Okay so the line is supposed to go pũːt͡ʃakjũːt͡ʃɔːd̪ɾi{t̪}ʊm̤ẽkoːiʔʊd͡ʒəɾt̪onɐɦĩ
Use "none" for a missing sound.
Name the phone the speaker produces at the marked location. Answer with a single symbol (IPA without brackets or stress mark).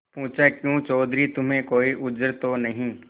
t̪